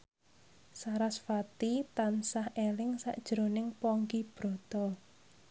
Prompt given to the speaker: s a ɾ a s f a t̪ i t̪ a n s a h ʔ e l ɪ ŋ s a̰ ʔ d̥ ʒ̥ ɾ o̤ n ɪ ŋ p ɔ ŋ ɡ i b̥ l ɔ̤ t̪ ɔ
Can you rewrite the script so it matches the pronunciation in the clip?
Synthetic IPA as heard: s a ɾ a s f a t̪ i t̪ a n s a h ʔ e l ɪ ŋ s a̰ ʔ d̥ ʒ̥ ɾ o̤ n ɪ ŋ p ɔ ŋ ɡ i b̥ ɾ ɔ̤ t̪ ɔ